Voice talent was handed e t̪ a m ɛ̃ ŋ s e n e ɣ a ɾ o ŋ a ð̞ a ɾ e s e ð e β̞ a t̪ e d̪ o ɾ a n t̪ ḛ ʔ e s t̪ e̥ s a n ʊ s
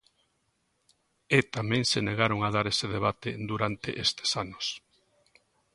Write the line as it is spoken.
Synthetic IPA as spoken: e t̪ a m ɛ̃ ŋ s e n e ɣ a ɾ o ŋ a ð̞ a ɾ e s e ð e β̞ a t̪ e d̪ u ɾ a n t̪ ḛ ʔ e s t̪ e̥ s a n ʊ s